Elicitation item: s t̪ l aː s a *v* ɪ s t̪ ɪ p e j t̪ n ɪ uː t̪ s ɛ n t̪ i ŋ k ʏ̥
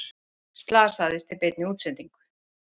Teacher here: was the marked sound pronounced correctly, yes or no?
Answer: no